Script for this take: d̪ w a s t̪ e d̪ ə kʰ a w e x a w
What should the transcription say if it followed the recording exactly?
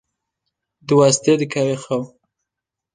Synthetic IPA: d̪ w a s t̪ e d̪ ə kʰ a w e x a w